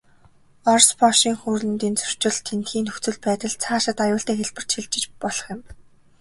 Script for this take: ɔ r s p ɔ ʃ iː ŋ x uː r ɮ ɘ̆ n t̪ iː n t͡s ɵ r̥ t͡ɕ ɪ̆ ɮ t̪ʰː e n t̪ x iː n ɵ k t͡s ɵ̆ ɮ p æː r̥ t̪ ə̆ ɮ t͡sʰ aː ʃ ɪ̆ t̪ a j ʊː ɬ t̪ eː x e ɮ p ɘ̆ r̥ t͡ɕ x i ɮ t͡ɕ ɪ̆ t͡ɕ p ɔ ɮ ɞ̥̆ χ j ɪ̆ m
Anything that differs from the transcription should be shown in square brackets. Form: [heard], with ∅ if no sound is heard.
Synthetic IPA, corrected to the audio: ɔ r s p ɔ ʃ iː ŋ x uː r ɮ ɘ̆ n t̪ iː n t͡s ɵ r̥ t͡ɕ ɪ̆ ɮ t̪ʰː e n t̪ x iː n ɵ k t͡s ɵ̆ ɮ p æː [∅] t̪ ə̆ ɮ t͡sʰ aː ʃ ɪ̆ t̪ a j ʊː ɬ t̪ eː x e ɮ p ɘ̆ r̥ t͡ɕ x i ɮ t͡ɕ ɪ̆ t͡ɕ p ɔ ɮ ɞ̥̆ χ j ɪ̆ m

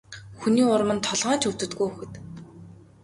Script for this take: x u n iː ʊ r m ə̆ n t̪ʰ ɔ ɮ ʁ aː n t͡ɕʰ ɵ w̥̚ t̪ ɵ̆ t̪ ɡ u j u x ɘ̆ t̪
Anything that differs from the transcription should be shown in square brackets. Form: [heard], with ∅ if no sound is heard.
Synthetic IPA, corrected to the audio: x u n iː ʊ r m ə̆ n t̪ʰ ɔ ɮ ʁ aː n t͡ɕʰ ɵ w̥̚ t̪ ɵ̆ t̪ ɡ u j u x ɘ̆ t̪

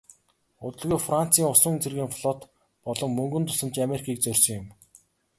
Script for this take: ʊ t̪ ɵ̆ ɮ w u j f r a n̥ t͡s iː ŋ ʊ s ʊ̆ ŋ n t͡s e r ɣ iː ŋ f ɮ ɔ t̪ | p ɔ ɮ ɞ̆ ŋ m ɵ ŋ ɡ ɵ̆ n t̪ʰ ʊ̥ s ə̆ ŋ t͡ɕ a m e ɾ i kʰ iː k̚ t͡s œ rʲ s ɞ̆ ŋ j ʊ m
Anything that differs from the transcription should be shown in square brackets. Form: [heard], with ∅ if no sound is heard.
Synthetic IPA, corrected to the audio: ʊ t̪ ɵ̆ ɮ [ɣ] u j f r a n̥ t͡s iː ŋ ʊ s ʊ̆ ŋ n t͡s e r ɣ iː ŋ f ɮ ɔ t̪ | p ɔ ɮ ɞ̆ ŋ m ɵ ŋ ɡ ɵ̆ n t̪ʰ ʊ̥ s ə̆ [m] t͡ɕ a m e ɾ i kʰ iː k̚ t͡s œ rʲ s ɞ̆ ŋ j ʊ m

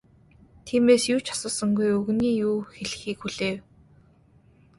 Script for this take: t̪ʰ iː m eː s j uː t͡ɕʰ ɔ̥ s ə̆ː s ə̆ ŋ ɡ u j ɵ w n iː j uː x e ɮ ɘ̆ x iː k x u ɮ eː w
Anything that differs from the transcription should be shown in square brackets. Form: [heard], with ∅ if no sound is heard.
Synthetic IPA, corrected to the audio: t̪ʰ iː m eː s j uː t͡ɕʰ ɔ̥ s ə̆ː s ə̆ ŋ ɡ u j ɵ [ɣ] n iː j uː x e ɮ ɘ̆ x iː k x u ɮ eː w

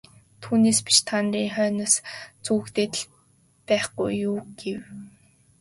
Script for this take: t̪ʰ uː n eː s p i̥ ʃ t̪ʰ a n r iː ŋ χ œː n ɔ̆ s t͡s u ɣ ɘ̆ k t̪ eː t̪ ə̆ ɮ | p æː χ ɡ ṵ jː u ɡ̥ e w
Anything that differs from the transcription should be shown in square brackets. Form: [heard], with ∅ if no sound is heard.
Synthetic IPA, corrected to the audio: t̪ʰ uː n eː s p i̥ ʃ t̪ʰ a n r iː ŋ χ œː n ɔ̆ s t͡s u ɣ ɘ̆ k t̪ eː t̪ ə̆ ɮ | p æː χ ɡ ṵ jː [uː] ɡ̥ e w

